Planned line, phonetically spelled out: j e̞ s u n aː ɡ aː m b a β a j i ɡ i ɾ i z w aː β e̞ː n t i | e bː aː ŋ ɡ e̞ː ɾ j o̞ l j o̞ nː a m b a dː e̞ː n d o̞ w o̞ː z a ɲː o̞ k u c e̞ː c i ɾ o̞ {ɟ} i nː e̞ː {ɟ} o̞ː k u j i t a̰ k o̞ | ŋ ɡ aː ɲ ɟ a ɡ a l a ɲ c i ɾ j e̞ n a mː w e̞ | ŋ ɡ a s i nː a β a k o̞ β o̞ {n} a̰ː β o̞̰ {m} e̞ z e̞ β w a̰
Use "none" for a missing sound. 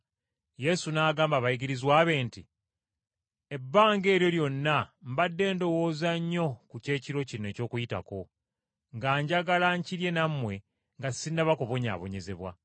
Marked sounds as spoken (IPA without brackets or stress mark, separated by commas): c, c, ɲ, ɲ